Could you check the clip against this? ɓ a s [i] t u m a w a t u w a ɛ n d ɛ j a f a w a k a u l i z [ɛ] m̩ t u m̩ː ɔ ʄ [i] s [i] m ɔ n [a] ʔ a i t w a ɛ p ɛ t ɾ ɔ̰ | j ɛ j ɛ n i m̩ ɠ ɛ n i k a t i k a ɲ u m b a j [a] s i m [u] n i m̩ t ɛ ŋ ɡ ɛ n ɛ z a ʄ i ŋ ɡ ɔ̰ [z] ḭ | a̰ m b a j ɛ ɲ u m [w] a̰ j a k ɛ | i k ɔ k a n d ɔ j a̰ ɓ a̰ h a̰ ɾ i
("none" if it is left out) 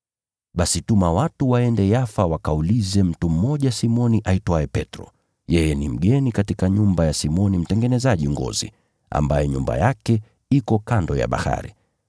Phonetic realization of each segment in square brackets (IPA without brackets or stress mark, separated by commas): i, ɛ, a, i, i, a, ɔ, z, b